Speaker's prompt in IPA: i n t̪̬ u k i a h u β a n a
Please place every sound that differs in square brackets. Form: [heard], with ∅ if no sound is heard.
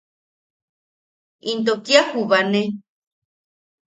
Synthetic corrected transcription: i n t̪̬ [o] k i a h u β a n [e]